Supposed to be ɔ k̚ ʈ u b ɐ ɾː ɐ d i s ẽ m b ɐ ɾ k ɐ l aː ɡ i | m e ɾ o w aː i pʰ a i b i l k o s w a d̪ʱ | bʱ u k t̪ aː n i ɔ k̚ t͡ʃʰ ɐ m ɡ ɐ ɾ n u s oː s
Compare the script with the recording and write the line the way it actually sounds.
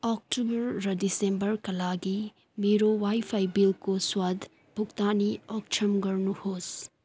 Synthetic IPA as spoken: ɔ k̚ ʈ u b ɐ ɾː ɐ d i s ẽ m b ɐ ɾ k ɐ l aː ɡ i | m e ɾ o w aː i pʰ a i b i l k o s w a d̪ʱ | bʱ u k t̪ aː n i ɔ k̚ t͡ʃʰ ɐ m ɡ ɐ ɾ n u h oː s